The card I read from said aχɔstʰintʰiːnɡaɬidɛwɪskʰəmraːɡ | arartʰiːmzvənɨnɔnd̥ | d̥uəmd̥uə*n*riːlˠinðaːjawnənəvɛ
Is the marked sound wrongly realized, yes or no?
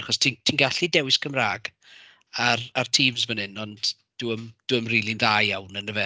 yes